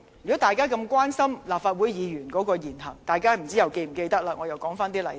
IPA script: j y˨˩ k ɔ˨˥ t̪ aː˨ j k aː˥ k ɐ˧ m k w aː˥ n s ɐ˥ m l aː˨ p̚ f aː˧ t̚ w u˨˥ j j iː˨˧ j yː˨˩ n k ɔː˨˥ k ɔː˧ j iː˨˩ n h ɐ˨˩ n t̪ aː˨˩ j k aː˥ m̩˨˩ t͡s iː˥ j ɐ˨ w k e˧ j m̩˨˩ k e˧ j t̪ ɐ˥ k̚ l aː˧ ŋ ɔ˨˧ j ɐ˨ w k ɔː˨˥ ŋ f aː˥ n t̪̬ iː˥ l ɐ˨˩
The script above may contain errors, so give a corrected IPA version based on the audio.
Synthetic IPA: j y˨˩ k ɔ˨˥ t̪ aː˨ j k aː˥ k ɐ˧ m k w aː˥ n s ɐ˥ m l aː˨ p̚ f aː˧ t̚ w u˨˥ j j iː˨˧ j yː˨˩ n k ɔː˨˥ k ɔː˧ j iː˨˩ n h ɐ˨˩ ŋ t̪ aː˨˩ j k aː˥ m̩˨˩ t͡s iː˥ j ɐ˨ w k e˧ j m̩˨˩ k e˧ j t̪ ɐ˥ k̚ l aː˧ ŋ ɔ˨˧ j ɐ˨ w k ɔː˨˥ ŋ f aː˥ n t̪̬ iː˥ l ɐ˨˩